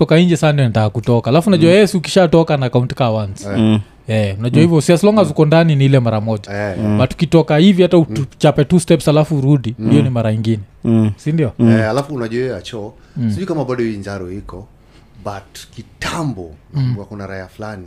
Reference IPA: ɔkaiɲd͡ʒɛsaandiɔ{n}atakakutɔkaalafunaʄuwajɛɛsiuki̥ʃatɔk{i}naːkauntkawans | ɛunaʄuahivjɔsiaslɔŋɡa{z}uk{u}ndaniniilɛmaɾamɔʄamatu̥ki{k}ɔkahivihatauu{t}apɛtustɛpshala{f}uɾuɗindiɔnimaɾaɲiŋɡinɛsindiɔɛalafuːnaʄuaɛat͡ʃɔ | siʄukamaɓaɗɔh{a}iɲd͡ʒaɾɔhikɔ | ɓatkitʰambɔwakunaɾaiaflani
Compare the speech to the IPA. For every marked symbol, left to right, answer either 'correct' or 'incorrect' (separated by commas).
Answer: correct, incorrect, correct, incorrect, incorrect, incorrect, correct, incorrect